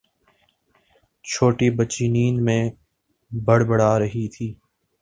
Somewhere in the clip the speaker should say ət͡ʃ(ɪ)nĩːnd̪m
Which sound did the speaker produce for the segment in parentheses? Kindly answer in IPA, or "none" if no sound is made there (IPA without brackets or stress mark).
i